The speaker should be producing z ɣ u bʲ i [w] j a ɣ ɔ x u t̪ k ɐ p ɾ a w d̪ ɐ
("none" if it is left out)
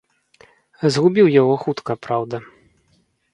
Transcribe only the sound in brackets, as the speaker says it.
w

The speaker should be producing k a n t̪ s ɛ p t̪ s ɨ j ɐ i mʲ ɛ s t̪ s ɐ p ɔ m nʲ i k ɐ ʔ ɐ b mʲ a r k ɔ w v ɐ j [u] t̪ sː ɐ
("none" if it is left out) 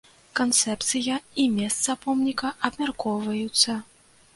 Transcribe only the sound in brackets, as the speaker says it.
u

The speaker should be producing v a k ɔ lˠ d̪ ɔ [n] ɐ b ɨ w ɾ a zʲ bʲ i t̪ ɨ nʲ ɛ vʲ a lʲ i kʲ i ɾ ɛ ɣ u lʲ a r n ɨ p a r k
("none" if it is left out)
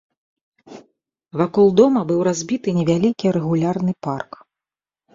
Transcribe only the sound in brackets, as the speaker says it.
m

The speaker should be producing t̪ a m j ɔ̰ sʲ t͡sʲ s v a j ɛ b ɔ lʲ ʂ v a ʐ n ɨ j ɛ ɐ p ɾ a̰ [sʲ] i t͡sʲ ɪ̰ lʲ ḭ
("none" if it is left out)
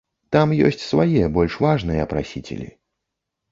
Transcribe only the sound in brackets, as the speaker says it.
sʲ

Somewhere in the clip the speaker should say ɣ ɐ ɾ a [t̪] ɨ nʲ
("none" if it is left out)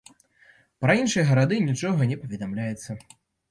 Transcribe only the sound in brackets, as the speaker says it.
d̪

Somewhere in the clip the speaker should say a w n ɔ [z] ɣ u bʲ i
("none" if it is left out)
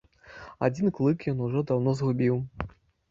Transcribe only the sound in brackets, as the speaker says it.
z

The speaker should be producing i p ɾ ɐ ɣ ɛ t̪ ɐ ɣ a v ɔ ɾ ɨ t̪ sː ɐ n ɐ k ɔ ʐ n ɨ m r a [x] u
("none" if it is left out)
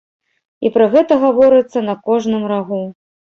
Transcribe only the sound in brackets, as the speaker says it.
ɣ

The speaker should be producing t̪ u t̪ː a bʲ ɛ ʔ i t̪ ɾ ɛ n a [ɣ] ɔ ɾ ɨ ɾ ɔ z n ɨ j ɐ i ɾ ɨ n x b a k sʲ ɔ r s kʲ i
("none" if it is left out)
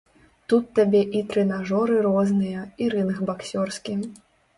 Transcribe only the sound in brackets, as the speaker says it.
ʐ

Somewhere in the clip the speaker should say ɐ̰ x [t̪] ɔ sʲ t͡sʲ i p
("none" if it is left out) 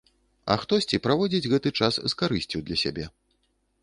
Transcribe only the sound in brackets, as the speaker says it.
t̪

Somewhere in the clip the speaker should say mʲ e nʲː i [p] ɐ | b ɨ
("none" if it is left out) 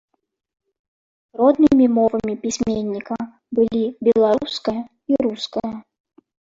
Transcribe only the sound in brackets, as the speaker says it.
k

